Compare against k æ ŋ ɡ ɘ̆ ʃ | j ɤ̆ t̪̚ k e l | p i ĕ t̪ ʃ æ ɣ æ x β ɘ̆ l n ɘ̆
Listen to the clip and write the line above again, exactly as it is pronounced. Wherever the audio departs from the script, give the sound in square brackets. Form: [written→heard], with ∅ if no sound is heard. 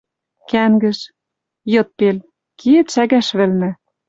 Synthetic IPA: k æ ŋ ɡ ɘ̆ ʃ | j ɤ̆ t̪̚ [k→p] e l | [p→k] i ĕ t̪ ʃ æ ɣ æ [x→ʃ] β ɘ̆ l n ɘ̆